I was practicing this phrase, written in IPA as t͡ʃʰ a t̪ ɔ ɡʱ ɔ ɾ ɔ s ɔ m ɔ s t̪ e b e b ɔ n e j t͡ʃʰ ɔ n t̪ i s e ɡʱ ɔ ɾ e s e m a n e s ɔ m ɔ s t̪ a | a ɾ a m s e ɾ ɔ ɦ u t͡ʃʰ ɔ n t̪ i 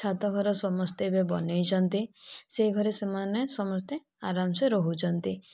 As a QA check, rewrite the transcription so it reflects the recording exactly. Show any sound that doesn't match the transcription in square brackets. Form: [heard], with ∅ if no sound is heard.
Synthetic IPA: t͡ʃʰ a t̪ ɔ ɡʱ ɔ ɾ ɔ s ɔ m ɔ s t̪ e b e b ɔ n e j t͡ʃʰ ɔ n t̪ i s e ɡʱ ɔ ɾ e s e m a n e s ɔ m ɔ s t̪ [e] | a ɾ a m s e ɾ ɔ ɦ u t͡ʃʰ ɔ n t̪ i